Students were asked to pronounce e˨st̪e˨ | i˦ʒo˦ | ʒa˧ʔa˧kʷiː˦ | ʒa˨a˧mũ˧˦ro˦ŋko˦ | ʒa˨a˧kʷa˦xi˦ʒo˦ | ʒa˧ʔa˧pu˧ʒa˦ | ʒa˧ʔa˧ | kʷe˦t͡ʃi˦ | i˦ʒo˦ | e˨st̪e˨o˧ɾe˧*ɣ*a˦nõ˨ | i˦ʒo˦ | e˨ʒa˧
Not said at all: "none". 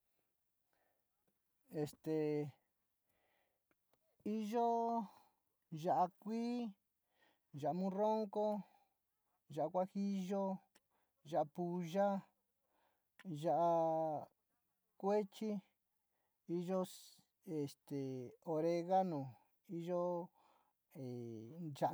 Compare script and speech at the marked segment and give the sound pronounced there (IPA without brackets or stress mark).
ɣ